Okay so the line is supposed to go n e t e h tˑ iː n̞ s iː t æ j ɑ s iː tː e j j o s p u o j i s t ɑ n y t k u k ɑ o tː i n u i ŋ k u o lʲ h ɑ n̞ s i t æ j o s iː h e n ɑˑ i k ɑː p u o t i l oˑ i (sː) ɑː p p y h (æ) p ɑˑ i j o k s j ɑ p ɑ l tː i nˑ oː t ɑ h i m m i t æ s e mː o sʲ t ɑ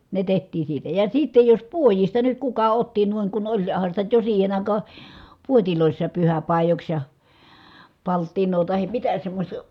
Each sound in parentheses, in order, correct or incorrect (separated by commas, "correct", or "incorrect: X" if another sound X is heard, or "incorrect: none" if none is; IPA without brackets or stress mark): correct, correct